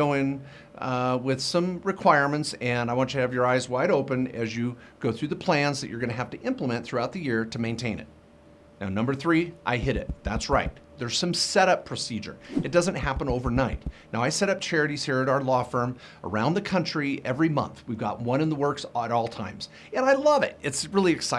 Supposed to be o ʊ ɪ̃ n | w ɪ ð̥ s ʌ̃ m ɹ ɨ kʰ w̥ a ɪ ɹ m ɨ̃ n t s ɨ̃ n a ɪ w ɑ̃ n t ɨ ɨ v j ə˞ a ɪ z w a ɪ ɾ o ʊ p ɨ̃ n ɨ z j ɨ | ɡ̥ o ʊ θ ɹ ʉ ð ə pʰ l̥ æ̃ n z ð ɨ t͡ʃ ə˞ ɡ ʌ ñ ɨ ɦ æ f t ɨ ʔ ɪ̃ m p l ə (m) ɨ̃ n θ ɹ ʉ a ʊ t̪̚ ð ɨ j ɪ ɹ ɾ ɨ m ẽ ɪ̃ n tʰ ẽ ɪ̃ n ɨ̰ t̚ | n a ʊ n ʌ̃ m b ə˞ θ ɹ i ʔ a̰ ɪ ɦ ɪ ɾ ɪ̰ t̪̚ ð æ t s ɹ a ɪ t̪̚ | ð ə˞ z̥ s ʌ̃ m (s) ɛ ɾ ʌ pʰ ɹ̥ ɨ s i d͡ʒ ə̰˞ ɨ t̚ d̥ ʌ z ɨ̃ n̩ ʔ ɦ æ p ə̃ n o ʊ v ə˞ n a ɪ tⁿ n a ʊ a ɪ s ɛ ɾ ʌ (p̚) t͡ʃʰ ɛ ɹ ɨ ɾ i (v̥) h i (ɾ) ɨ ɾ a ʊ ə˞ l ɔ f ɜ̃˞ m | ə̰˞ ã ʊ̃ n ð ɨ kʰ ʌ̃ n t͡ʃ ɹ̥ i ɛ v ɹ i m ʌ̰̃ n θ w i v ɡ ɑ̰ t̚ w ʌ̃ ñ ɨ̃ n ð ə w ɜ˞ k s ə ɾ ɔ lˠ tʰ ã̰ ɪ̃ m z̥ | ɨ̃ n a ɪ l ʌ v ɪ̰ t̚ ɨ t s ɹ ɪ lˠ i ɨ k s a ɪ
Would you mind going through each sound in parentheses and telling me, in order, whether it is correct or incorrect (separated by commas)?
correct, correct, correct, incorrect, incorrect